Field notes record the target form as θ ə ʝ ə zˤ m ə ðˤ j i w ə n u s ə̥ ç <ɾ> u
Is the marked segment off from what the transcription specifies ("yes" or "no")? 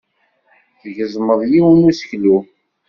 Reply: yes